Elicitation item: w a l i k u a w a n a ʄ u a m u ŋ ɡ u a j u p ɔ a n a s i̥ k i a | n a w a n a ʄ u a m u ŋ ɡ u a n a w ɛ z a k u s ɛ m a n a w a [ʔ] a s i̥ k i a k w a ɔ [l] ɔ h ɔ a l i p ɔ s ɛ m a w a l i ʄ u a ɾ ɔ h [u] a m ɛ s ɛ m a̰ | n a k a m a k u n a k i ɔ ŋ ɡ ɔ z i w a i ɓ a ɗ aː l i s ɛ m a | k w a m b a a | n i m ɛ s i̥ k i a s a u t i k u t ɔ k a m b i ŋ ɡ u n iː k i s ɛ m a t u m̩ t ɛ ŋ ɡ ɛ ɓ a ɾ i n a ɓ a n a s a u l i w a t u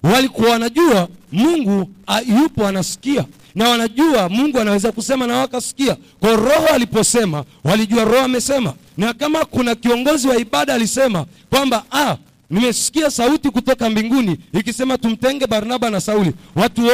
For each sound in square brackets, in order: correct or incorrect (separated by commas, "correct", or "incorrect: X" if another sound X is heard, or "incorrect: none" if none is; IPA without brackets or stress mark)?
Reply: incorrect: k, incorrect: ɾ, incorrect: ɔ